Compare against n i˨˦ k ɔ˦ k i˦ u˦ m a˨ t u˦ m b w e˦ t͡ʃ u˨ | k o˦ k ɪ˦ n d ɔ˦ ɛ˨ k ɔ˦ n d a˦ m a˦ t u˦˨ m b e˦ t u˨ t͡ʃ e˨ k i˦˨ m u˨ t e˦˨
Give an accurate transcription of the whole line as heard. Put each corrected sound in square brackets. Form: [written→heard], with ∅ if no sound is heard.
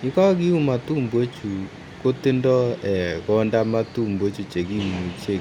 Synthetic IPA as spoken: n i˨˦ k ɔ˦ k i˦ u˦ m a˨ t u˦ m b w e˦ t͡ʃ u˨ | k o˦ [k→t] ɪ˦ n d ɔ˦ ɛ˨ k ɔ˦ n d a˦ m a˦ t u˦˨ m b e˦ [t→t͡ʃ] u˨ t͡ʃ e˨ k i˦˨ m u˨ [t→t͡ʃ] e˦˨

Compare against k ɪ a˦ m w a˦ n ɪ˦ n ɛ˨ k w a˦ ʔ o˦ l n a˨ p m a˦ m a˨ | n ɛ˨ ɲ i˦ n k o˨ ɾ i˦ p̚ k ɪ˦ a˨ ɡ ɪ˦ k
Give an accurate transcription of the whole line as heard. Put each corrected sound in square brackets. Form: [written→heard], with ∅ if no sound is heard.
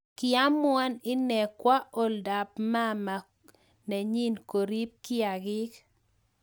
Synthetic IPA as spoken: k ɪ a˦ m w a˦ n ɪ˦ n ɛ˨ k w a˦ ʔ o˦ l [n→d] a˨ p m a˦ m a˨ | n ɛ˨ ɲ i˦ n k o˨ ɾ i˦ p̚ k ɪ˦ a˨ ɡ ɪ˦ k

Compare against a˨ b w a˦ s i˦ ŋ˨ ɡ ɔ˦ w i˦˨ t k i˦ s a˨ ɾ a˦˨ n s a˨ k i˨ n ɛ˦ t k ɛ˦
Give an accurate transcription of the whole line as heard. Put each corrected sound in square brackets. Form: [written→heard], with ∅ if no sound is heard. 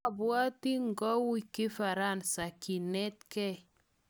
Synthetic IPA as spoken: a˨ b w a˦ [s→t] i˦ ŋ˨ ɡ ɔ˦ w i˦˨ [t→∅] k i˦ [s→f] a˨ ɾ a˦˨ n s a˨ k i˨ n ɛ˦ t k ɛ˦

